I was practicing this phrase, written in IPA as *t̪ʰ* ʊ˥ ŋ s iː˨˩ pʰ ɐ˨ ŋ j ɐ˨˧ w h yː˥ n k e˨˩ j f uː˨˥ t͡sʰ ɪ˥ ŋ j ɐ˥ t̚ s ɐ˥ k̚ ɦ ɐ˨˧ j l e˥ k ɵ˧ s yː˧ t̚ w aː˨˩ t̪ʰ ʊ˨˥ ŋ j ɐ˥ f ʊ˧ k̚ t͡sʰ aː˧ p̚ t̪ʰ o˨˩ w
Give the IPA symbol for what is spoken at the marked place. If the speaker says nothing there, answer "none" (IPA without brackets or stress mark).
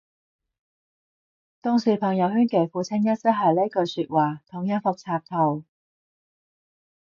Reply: t̪